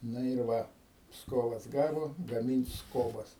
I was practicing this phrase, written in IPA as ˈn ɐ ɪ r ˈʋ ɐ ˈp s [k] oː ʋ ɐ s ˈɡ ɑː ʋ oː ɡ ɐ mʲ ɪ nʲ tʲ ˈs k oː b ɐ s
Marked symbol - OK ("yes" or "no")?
yes